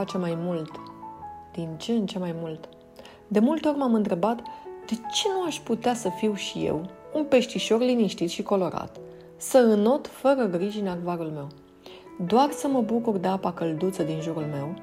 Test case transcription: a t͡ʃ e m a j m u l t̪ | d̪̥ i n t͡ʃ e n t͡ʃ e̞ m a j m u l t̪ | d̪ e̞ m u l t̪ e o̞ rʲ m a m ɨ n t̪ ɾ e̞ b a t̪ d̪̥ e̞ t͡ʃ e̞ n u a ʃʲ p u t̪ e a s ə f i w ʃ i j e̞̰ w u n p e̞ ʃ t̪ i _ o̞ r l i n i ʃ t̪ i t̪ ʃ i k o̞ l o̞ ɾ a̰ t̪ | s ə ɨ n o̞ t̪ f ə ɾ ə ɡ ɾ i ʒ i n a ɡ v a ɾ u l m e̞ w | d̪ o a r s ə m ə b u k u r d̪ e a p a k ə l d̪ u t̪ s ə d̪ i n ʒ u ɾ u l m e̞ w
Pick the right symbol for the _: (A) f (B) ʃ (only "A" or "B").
B